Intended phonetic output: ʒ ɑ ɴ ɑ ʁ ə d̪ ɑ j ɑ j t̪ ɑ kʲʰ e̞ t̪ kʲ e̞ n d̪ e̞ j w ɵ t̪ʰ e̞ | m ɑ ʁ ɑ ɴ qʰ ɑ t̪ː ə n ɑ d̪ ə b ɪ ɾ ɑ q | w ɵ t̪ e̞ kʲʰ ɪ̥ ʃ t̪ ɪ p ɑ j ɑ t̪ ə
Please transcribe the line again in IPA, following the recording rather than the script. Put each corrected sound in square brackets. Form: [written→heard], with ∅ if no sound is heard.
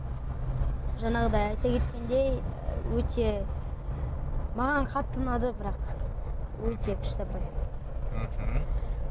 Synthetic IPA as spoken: ʒ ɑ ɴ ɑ ʁ ə d̪ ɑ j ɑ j t̪ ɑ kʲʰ e̞ t̪ kʲ e̞ n d̪ e̞ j w ɵ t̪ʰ e̞ | m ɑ ʁ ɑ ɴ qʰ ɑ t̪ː ə n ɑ d̪ ə b ɪ ɾ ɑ q | w ɵ t̪ e̞ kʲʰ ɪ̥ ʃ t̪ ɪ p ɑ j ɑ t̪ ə